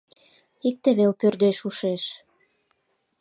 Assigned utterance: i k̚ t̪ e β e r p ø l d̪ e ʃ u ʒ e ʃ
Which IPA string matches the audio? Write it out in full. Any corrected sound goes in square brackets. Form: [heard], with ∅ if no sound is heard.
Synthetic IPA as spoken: i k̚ t̪ e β e [l] p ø [r] d̪ e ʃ u [ʃ] e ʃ